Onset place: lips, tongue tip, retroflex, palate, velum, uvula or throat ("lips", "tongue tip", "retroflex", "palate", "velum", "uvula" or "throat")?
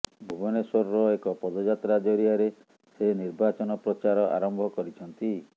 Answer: lips